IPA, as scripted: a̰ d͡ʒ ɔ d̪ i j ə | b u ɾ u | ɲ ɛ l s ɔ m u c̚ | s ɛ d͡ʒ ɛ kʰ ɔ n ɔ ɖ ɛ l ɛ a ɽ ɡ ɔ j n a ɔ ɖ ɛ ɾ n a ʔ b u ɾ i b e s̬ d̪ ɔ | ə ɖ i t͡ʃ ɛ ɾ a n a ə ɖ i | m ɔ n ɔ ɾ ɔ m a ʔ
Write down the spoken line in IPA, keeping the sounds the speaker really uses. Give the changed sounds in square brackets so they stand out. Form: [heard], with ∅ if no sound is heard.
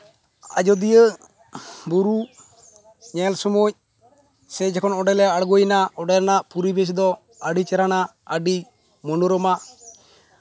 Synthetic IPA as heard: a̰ d͡ʒ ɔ d̪ i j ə | b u ɾ u | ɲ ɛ l s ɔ m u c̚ | s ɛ d͡ʒ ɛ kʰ ɔ n ɔ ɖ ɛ l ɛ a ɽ ɡ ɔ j n a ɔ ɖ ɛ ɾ n a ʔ [p] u ɾ i b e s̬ d̪ ɔ | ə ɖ i t͡ʃ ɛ ɾ a n a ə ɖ i | m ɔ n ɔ ɾ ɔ m a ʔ